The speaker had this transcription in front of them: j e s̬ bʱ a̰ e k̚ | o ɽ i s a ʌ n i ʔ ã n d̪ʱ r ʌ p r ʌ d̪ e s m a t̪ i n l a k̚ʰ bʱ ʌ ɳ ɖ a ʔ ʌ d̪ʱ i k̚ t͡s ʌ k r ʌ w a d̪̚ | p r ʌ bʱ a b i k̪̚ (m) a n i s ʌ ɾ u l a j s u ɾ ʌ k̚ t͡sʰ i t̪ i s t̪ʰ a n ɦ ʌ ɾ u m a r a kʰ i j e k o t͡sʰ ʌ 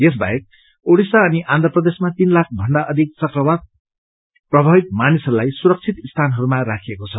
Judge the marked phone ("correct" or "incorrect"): correct